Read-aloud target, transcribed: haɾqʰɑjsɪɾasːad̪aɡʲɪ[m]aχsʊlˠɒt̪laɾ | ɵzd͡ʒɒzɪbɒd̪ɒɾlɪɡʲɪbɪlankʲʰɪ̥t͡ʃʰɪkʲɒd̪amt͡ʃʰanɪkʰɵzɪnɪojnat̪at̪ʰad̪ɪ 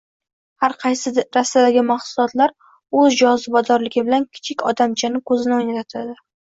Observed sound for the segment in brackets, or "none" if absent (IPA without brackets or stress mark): m